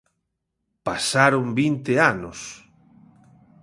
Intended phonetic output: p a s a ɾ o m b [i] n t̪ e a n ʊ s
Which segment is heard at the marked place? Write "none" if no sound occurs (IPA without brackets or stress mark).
i